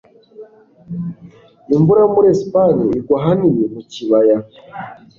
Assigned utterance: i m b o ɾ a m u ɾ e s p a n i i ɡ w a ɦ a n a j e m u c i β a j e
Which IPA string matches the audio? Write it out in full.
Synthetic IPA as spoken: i m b u ɾ a m u ɾ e s p a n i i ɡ w a ɦ a n i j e m u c i β a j a

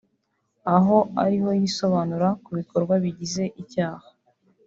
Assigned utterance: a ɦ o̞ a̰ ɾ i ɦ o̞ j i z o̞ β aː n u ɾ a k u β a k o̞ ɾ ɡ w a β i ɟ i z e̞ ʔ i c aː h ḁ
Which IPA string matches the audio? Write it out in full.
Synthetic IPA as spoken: a ɦ o̞ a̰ ɾ i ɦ o̞ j i s o̞ β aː n u ɾ a k u β i k o̞ ɾ ɡ w a β i ɟ i z e̞ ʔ i c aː h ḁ

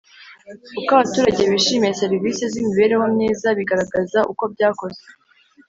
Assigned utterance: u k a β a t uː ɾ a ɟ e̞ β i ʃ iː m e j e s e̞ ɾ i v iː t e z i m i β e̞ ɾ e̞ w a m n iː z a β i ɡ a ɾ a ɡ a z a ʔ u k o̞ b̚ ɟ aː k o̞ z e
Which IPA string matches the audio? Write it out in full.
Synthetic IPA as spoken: u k a β a t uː ɾ a ɟ e̞ β i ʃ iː m e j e s e̞ ɾ i v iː s e z i m i β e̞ ɾ e̞ w a m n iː z a β i ɡ a ɾ a ɡ a z a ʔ u k o̞ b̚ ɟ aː k o̞ z e

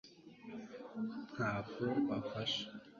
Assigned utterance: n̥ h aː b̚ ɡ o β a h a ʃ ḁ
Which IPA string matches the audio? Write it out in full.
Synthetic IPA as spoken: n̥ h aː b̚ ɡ o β a f a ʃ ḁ

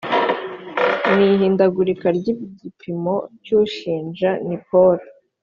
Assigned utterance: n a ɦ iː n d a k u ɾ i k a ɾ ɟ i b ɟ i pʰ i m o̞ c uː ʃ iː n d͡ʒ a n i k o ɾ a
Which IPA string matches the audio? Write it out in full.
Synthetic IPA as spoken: n i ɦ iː n d a ɡ u ɾ i k a ɾ ɟ i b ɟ i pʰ i m o̞ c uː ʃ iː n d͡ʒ a n i p o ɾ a

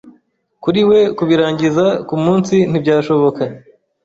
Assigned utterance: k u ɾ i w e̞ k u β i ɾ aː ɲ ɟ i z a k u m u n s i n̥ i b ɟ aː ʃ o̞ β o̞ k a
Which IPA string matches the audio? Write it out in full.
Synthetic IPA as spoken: k u ɾ i w e̞ k u β i ɾ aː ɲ ɟ i z a k u m uː n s i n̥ i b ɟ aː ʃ o̞ β o̞ k a

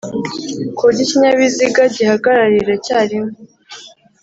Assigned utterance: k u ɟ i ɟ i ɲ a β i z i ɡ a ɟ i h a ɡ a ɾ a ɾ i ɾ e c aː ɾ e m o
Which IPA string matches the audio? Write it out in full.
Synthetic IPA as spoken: k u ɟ i c i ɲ a β i z i ɡ a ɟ i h a ɡ a ɾ a ɾ i ɾ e c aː ɾ i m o

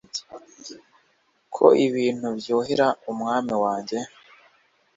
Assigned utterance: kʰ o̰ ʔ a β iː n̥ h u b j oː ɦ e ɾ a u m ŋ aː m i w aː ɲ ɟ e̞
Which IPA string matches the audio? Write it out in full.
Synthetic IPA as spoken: kʰ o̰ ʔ i β iː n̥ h u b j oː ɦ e ɾ a u m ŋ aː m i w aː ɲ ɟ e̞

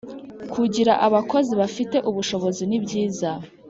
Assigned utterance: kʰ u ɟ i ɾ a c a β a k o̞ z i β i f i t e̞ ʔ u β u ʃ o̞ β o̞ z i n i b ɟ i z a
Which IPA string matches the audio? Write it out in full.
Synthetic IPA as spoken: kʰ u ɟ i ɾ a ʔ a β a k o̞ z i β a f i t e̞ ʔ u β u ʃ o̞ β o̞ z i n i b ɟ iː z a

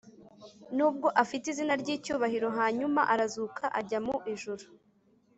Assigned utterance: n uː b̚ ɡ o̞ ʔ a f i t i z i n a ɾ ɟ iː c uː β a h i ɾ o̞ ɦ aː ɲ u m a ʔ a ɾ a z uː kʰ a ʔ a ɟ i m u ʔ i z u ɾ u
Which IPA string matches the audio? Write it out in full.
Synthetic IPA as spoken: n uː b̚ ɡ o̞ ʔ a f i t i z i n a ɾ ɟ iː c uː β a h i ɾ o̞ ɦ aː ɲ u m a ʔ a ɾ a z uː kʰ a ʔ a ɟ a m u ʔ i ʒ u ɾ u

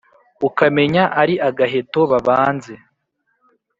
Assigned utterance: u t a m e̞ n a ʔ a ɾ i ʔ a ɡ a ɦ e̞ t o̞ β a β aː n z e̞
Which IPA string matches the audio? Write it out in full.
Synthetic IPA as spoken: u k a m e̞ ɲ a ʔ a ɾ i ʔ a ɡ a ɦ e̞ t o̞ β a β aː n z e̞

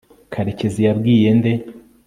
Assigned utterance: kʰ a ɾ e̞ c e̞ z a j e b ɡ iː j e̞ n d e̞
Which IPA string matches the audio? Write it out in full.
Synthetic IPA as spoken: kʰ a ɾ e̞ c e̞ z i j a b ɡ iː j e̞ n d e̞

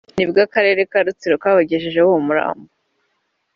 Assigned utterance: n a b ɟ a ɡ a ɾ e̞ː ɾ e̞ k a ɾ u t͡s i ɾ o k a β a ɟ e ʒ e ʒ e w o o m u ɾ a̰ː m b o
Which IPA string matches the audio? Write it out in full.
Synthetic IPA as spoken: n i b ɡ a k a ɾ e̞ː ɾ e̞ k a ɾ u t͡s i ɾ o k a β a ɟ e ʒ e ʒ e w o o m u ɾ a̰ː m b o

